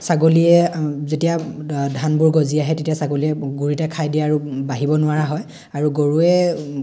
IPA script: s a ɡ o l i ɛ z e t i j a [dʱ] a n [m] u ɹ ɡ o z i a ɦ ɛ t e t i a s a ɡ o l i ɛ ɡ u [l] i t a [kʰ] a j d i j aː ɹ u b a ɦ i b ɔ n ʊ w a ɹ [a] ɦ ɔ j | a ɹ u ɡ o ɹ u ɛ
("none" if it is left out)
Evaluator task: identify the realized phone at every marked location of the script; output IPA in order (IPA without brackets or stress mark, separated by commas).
dʱ, b, ɹ, kʰ, a